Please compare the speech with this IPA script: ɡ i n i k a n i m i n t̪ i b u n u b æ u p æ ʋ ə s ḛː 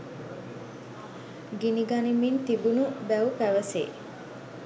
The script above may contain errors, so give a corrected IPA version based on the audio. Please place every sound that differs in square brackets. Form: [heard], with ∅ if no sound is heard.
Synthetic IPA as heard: ɡ i n i [ɡ] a n i m i n t̪ i b u n u b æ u p æ ʋ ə s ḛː

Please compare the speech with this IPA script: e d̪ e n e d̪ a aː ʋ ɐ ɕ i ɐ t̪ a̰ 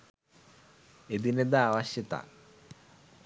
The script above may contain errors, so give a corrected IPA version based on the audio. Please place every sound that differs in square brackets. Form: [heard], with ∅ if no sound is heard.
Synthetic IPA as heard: e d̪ [i] n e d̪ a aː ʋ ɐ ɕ [j] ɐ t̪ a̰

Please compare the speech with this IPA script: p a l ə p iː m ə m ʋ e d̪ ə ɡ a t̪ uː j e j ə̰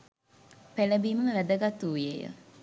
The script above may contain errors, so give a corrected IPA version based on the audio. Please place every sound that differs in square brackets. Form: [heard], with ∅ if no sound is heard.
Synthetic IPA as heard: p [e] l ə [b] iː m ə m ʋ [æ] d̪ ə ɡ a t̪ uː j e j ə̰

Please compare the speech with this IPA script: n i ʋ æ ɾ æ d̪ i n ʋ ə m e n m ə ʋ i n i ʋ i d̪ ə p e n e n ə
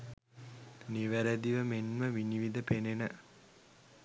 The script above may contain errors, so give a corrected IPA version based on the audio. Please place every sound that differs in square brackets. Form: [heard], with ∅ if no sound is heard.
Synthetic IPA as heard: n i ʋ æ ɾ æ d̪ i [∅] ʋ ə m e n m ə ʋ i n i ʋ i d̪ ə p e n e n ə

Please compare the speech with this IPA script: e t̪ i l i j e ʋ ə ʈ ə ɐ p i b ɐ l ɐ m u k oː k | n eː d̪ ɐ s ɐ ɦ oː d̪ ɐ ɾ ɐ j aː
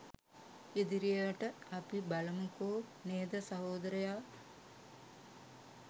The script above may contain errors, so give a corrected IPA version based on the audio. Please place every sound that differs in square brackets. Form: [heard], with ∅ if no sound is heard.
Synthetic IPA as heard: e [d̪] i [ɾ] i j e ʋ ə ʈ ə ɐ p i b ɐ l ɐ m u k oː [∅] | n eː d̪ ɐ s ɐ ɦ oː d̪ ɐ ɾ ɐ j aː

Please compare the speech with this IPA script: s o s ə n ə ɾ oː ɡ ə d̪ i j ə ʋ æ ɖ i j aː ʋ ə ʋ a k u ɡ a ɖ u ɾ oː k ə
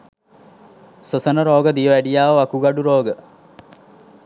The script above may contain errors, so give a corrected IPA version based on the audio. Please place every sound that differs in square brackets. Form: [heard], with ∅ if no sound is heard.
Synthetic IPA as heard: s o s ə n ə ɾ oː ɡ ə d̪ i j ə ʋ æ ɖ i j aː ʋ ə ʋ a k u ɡ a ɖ u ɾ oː [ɡ] ə

